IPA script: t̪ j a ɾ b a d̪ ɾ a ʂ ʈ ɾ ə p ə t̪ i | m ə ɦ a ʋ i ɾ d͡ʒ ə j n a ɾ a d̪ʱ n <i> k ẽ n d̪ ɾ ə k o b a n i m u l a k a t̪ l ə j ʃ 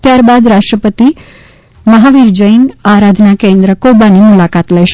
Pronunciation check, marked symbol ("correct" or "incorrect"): incorrect